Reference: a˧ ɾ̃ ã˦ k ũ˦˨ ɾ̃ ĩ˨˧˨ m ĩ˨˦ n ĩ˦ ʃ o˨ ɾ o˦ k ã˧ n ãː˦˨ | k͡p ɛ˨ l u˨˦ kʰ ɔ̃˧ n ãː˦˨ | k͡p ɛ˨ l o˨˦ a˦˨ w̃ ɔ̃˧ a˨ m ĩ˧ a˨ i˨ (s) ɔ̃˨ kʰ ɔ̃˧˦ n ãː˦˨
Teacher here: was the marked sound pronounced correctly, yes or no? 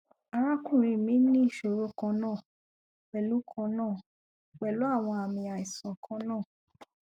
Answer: yes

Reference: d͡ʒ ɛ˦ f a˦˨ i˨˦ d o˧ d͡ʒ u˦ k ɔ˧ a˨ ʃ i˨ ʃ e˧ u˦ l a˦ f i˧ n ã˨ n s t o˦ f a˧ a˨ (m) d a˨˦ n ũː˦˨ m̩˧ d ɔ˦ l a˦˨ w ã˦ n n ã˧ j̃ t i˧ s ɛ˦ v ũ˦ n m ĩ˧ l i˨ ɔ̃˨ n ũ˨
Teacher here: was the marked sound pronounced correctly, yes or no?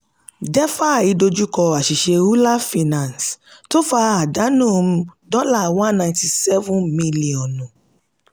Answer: no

